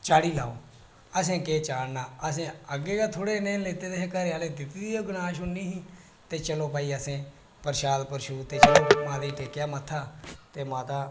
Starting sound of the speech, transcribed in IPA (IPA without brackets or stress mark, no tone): t͡ʃ